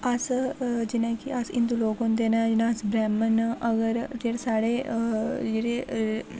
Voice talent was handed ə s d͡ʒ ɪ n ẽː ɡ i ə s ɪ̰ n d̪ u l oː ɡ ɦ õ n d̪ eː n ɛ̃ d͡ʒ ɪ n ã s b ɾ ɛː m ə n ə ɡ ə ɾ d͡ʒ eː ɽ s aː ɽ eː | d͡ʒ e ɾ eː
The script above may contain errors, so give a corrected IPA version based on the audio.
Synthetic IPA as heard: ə s d͡ʒ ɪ n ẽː k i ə s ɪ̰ n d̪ u l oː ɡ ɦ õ n d̪ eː n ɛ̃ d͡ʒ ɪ n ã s b ɾ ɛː m ə n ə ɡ ə ɾ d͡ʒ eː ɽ s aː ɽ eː | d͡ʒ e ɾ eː